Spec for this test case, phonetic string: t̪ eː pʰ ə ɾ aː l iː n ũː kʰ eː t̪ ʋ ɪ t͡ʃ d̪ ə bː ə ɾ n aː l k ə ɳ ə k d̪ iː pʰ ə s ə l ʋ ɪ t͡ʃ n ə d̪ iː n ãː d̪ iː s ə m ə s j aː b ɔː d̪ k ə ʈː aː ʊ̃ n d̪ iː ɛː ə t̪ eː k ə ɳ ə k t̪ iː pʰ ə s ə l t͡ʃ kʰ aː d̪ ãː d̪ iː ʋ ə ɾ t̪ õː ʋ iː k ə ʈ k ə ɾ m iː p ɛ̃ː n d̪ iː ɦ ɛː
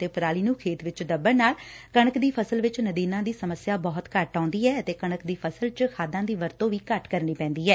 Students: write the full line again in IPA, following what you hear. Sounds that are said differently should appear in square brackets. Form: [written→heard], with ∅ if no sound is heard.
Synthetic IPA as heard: t̪ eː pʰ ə ɾ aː l iː n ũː kʰ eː t̪ ʋ ɪ t͡ʃ d̪ ə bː ə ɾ n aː l k ə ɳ ə k d̪ iː pʰ ə s ə l ʋ ɪ t͡ʃ n ə d̪ iː n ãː d̪ iː s ə m ə s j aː b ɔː [d̪→t̪] k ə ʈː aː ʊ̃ n d̪ iː ɛː ə t̪ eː k ə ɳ ə k [t̪→d̪] iː pʰ ə s ə l t͡ʃ kʰ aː d̪ ãː d̪ iː ʋ ə ɾ t̪ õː ʋ iː k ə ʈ k ə ɾ [m→n] iː p ɛ̃ː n d̪ iː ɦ ɛː